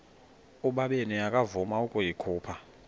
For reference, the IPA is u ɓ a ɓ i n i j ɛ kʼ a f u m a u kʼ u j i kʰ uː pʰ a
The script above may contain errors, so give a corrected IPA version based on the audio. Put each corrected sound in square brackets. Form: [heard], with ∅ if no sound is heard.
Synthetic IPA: u ɓ a ɓ [e] n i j [a] kʼ a [v] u m a u kʼ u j i kʰ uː pʰ a